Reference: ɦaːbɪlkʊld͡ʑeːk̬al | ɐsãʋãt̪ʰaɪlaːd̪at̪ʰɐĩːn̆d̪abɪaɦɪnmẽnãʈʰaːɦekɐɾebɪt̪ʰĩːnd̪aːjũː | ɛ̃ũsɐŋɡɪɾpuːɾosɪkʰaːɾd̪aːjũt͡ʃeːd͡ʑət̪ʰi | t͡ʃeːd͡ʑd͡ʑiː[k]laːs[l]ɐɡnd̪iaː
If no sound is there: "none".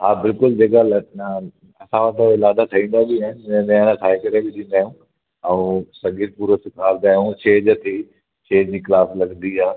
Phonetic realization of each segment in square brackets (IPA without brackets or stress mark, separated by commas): k, l